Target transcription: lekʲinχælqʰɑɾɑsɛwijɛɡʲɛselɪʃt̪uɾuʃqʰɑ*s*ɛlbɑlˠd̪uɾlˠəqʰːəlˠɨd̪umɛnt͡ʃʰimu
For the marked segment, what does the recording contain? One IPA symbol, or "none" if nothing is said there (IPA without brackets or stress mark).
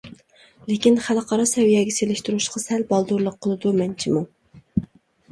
s